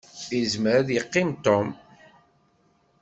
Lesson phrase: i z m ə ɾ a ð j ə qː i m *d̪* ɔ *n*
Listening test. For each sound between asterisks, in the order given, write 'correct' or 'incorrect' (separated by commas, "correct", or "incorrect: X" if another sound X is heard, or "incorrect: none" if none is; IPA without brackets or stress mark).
incorrect: t̪, incorrect: m